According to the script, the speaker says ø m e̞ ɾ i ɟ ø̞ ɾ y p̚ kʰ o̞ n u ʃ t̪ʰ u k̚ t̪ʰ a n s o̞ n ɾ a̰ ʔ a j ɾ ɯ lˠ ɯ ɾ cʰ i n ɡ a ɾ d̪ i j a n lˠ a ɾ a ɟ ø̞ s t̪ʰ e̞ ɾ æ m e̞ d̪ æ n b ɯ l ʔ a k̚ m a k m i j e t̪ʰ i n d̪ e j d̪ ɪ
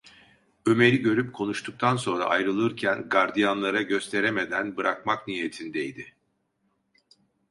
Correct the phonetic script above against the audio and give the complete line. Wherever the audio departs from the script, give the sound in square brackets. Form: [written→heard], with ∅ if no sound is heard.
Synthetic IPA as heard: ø m e̞ ɾ i ɟ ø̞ ɾ y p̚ kʰ o̞ n u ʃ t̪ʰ u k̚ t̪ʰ a n s o̞ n ɾ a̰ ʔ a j ɾ ɯ lˠ ɯ ɾ cʰ [i→æ] n ɡ a ɾ d̪ i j a n lˠ a ɾ a ɟ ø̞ s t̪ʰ e̞ ɾ [æ→e] m e̞ d̪ æ n b ɯ [l→ɾ] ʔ a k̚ m a k [m→n] i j e t̪ʰ i n d̪ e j d̪ ɪ